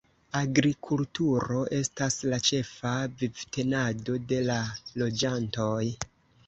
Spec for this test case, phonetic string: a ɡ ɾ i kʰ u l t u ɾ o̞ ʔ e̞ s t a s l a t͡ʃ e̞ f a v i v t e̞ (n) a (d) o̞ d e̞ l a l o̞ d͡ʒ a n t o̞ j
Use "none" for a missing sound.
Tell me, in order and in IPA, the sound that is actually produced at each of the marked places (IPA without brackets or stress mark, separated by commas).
n, d